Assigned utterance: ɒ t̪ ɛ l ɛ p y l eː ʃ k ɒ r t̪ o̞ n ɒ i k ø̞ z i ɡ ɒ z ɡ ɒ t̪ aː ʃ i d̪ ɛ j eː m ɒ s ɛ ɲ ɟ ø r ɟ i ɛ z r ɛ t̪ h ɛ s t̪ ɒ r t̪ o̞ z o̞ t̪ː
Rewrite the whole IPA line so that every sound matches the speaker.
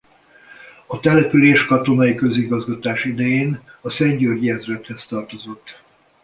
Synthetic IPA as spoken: ɒ t̪ ɛ l ɛ p y l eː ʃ k ɒ t̪ o̞ n ɒ i k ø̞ z i ɡ ɒ z ɡ ɒ t̪ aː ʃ i d̪ ɛ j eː n ɒ s ɛ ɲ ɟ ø r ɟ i ɛ z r ɛ t̪ h ɛ s t̪ ɒ r t̪ o̞ z o̞ t̪ː